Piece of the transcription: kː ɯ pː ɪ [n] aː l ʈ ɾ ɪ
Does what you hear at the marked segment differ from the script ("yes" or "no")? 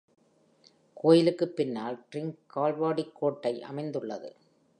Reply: yes